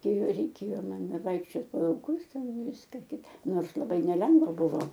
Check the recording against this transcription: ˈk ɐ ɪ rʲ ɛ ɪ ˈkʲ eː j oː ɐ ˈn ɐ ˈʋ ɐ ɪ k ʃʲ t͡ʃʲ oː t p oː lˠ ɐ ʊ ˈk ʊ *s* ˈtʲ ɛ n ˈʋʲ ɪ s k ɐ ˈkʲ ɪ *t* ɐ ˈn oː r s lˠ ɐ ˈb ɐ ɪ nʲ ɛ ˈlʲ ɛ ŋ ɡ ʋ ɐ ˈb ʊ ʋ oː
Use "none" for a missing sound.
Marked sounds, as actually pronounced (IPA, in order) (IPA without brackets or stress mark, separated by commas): s, t